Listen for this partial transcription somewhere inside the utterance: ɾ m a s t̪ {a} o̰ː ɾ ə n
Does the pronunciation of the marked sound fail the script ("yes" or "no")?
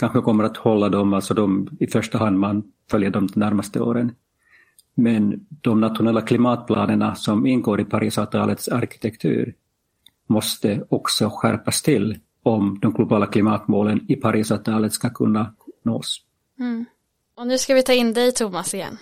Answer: yes